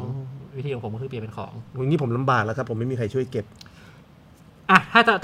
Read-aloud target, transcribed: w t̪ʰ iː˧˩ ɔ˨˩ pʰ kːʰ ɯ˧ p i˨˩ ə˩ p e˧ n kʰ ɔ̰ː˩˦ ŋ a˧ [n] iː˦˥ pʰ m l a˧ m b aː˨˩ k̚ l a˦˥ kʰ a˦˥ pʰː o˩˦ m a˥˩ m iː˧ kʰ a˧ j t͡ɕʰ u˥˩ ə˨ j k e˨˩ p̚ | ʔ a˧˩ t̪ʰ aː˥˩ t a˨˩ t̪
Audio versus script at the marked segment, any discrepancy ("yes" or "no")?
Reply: yes